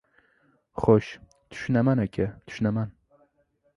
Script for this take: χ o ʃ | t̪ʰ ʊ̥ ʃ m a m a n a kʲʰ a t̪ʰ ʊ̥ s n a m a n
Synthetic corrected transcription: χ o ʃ | t̪ʰ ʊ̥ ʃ n a m a n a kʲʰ a t̪ʰ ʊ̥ ʃ n a m a n